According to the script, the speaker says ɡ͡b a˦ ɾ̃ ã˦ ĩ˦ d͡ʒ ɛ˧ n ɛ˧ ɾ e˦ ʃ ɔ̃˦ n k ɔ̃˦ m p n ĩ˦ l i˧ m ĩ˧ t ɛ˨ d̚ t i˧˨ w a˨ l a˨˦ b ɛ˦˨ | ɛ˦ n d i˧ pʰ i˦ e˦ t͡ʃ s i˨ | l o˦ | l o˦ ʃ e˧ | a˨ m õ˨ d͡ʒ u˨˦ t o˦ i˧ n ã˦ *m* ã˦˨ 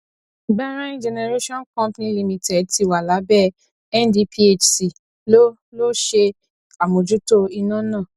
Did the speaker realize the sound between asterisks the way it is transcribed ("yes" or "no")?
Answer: no